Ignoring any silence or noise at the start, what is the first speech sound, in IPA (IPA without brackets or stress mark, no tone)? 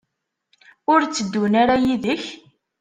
ʊ